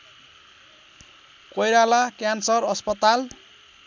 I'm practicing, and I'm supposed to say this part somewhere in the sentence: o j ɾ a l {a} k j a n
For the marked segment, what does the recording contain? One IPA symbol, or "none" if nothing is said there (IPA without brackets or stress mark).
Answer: a